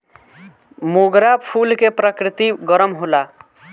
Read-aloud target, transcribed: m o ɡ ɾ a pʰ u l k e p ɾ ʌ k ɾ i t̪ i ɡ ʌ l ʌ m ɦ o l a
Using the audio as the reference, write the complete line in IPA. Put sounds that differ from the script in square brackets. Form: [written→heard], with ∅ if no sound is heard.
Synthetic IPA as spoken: m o ɡ ɾ a pʰ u l k e p ɾ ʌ k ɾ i t̪ i ɡ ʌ [l→ɾ] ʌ m ɦ o l a